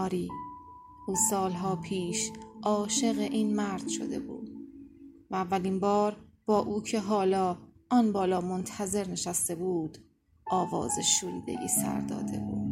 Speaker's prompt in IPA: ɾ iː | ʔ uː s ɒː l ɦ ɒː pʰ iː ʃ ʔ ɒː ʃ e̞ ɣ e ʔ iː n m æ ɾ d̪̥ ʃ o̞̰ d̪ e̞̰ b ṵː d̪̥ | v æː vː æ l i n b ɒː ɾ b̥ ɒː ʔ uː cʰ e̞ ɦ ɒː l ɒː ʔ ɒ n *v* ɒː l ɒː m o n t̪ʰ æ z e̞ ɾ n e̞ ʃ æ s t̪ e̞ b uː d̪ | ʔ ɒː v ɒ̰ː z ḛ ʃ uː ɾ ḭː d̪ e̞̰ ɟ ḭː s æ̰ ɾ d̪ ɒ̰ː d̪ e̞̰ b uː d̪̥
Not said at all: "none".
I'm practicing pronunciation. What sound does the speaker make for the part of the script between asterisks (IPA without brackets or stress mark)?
b